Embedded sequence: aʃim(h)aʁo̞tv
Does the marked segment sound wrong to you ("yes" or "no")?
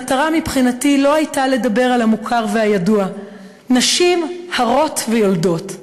no